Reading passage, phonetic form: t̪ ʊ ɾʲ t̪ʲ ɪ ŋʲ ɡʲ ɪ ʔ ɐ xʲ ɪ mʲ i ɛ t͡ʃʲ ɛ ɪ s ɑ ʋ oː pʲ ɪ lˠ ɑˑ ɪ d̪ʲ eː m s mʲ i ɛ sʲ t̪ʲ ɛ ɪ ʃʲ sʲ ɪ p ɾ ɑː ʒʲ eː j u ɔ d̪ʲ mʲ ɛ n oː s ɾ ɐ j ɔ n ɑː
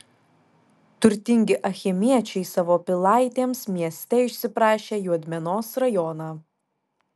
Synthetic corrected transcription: t̪ ʊ ɾʲ t̪ʲ ɪ ŋʲ ɡʲ ɪ ʔ ɐ xʲ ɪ mʲ i ɛ t͡ʃʲ ɛ ɪ s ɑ ʋ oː pʲ ɪ lˠ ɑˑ ɪ t̪ʲ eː m s mʲ i ɛ sʲ t̪ʲ ɛ ɪ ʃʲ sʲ ɪ p ɾ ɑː ʃʲ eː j u ɔ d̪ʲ mʲ ɛ n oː s ɾ ɐ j ɔ n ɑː